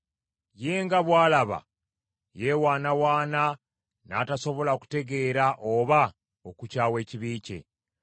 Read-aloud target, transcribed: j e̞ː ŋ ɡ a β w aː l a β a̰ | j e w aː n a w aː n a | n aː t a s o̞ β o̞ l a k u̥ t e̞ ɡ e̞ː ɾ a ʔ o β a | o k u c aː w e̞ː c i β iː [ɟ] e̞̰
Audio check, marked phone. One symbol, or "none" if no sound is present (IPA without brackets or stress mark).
c